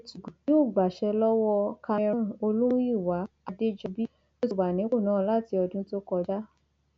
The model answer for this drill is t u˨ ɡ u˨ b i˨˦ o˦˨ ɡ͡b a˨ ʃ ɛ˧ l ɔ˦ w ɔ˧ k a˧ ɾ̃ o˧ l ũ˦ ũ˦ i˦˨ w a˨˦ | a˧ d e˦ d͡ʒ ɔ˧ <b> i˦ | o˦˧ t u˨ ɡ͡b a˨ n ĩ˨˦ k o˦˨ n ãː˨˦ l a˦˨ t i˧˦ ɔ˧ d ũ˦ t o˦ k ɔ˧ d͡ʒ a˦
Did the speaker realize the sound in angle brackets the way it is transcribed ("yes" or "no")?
yes